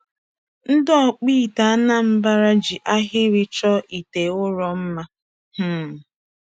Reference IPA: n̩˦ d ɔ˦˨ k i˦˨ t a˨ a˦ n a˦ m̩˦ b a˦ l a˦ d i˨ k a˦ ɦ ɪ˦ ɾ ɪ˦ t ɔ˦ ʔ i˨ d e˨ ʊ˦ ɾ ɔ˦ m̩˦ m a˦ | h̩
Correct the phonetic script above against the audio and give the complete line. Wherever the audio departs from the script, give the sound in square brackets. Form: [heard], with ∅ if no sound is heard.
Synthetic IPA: n̩˦ d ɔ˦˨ [k͡p] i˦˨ t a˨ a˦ n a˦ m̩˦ b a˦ [ɾ] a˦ [d͡ʒ] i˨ [ʔ] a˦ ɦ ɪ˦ ɾ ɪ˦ [t͡ʃ] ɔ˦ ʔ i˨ [t] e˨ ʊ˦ ɾ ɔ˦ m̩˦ m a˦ | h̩